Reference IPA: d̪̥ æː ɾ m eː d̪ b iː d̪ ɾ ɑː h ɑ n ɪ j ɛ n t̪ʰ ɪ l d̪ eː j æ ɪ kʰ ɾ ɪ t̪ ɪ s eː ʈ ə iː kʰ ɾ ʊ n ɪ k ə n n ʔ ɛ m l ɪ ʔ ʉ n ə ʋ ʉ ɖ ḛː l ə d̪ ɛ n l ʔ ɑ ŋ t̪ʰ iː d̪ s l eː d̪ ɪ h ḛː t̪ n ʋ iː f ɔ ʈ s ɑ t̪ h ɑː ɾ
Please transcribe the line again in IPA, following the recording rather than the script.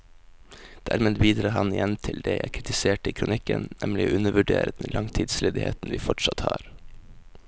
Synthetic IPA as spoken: d̪̥ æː ɾ m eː d̪ b iː d̪ ɾ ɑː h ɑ n ɪ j ɛ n t̪ʰ ɪ l d̪ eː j æ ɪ kʰ ɾ ɪ t̪ ɪ s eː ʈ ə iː kʰ ɾ ʊ n ɪ k ə n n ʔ ɛ m l ɪ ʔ ʉ n ə ʋ ʉ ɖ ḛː ɾ ə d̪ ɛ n l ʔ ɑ ŋ t̪ʰ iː d̪ s l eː d̪ ɪ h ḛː t̪ n ʋ iː f ɔ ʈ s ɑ t̪ h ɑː ɾ